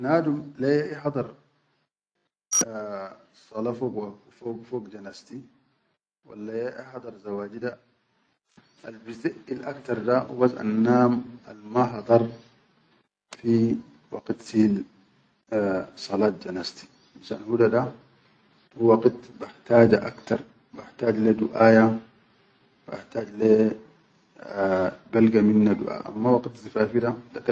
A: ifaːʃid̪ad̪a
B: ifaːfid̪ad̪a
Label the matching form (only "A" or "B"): B